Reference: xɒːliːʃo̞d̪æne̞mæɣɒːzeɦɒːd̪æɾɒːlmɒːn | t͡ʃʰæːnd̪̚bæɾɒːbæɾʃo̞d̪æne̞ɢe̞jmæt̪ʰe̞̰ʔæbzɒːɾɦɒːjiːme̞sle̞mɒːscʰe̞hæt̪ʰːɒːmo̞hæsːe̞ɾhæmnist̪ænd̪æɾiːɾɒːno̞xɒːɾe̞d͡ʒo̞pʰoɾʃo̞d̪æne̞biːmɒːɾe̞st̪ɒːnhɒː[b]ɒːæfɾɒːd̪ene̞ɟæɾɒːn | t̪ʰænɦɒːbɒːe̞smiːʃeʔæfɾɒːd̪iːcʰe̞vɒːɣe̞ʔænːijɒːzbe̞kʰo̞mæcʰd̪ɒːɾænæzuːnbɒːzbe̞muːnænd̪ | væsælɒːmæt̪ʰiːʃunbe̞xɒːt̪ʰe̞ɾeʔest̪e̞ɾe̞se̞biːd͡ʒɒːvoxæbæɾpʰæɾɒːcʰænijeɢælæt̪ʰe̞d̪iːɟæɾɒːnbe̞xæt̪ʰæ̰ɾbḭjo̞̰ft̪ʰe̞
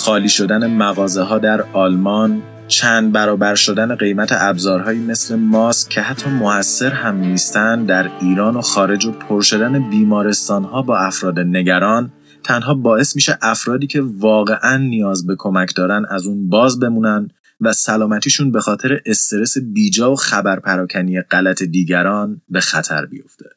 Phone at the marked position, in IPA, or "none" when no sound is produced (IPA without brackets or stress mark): b